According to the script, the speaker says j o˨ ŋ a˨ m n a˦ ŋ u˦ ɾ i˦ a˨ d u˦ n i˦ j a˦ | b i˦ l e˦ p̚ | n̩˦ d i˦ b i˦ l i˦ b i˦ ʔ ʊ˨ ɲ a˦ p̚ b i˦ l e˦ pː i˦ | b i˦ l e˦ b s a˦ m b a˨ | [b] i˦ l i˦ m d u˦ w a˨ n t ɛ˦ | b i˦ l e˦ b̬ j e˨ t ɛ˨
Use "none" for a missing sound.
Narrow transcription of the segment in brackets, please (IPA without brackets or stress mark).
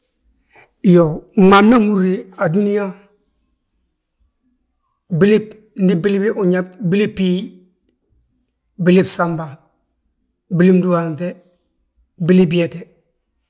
b